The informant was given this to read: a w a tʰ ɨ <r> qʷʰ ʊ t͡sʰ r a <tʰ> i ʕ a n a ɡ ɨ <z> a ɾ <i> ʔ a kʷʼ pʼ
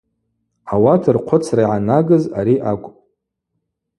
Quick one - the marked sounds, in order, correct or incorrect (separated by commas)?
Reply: correct, incorrect, correct, correct